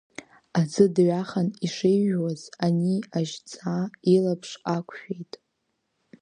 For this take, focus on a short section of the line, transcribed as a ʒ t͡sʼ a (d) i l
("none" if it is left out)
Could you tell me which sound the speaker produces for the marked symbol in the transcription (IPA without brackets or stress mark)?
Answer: none